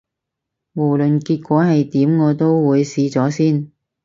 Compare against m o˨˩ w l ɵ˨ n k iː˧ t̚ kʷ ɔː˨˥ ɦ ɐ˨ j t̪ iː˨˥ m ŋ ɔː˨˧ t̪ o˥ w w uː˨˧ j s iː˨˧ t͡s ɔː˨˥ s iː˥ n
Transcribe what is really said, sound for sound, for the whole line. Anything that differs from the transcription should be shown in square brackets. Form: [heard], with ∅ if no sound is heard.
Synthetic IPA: m o˨˩ w l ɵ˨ n k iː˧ t̚ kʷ ɔː˨˥ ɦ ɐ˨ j t̪ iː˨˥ m ŋ ɔː˨˧ t̪ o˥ w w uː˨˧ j s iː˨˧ t͡s ɔː˨˥ s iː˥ n